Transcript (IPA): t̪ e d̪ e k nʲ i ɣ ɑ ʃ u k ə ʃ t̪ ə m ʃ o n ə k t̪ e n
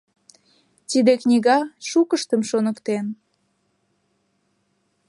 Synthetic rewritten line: t̪ i d̪ e k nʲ i ɣ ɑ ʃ u k ə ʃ t̪ ə m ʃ o n ə k t̪ e n